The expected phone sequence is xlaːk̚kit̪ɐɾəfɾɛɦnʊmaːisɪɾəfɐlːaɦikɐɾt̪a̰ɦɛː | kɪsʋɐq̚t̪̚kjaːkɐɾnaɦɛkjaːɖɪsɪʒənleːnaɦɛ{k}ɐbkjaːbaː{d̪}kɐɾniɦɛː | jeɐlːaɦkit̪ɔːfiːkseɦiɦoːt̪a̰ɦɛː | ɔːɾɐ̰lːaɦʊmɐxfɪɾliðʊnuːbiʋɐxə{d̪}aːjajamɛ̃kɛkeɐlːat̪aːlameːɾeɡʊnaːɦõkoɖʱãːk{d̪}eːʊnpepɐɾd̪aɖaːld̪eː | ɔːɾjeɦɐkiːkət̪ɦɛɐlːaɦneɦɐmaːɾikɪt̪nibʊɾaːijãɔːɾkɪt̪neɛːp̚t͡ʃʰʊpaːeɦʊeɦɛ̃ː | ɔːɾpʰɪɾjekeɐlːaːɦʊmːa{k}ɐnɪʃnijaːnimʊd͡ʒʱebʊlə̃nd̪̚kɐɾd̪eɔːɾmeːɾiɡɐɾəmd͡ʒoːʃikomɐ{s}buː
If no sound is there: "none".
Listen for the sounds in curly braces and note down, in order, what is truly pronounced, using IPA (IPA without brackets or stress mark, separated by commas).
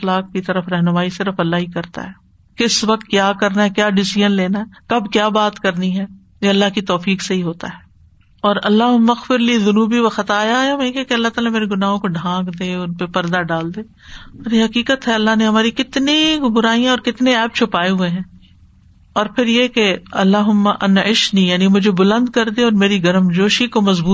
k, t̪, t̪, d̪, ʔ, z